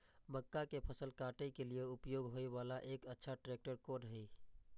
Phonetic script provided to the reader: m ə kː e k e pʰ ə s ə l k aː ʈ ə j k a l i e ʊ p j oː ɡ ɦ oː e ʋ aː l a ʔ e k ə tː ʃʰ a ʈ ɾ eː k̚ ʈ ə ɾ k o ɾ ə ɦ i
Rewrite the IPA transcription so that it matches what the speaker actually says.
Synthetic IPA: m ə kː a k e pʰ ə s ə l k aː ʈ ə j k e l i e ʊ p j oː ɡ ɦ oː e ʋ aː l a ʔ e k ə tː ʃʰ a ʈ ɾ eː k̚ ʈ ə ɾ k o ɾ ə ɦ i